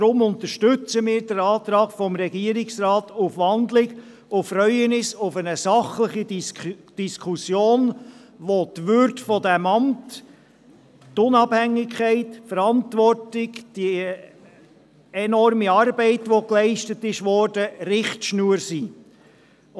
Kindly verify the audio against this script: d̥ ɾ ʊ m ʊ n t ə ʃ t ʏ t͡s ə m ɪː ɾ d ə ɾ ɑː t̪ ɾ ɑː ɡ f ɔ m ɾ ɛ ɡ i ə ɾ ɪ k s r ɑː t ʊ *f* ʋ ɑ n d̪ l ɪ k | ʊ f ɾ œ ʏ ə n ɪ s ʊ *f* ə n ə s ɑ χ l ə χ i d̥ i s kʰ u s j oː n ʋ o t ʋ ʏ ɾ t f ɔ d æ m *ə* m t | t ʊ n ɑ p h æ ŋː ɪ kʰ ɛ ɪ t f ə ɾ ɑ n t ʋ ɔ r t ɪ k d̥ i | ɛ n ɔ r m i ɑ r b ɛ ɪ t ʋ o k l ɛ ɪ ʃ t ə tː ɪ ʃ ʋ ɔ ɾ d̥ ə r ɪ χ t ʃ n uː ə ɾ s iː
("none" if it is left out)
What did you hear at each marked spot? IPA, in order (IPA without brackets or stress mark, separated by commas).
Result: f, f, ɑ